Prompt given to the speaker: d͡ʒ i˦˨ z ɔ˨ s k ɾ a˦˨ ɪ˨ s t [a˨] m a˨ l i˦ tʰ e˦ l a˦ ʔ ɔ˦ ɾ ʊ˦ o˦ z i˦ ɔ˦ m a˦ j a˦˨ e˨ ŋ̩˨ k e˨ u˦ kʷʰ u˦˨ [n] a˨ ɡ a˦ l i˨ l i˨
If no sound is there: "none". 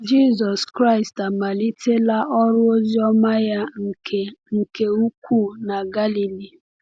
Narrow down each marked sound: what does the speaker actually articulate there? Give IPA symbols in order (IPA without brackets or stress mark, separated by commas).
a˨, n